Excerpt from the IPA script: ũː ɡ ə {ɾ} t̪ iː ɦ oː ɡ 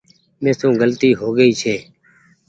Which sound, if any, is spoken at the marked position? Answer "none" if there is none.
l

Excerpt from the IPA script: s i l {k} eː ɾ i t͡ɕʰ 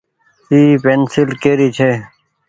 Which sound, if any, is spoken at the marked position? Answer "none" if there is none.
k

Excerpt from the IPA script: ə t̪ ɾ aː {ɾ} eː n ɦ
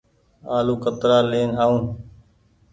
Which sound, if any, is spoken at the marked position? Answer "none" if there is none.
l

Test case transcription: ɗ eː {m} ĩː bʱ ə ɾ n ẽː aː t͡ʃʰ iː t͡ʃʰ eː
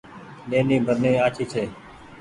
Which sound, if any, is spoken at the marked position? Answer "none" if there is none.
n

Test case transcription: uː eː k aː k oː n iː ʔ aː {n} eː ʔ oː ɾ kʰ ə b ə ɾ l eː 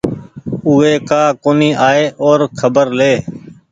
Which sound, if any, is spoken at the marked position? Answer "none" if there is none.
none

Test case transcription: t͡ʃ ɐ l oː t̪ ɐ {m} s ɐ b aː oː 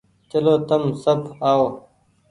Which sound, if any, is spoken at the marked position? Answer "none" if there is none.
m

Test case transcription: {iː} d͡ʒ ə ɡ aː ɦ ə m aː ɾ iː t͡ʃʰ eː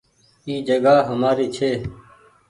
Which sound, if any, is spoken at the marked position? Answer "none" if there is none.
iː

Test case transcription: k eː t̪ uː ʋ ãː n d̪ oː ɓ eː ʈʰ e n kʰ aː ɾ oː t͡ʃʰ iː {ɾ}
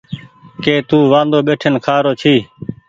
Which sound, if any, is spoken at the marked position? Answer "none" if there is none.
none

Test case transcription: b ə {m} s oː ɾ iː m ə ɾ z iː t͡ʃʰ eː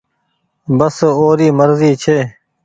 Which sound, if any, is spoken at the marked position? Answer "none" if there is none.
none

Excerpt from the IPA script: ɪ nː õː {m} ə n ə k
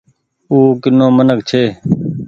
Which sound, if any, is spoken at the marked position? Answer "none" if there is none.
m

